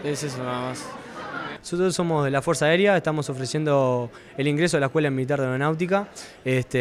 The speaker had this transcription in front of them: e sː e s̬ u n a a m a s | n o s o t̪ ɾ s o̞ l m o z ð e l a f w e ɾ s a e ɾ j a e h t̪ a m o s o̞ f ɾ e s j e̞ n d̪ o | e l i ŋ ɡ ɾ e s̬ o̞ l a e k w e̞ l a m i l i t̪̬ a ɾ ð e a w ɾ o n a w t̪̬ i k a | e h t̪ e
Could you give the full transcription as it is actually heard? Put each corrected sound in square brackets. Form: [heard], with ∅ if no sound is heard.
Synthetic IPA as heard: e [s] e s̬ [o] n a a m a s | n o s o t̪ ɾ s o̞ [∅] m o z ð e l a f w e ɾ s a e ɾ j a e h t̪ a m o s o̞ f ɾ e s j e̞ n d̪ o | e l i ŋ ɡ ɾ e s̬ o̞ l a e k w e̞ l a m i l i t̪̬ a ɾ ð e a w ɾ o n a w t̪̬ i k a | e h t̪ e